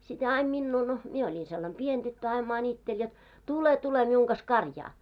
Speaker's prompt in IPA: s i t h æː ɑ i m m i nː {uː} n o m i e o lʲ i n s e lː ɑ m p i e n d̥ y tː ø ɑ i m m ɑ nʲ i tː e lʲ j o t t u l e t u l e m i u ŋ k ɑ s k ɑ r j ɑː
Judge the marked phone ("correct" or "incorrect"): correct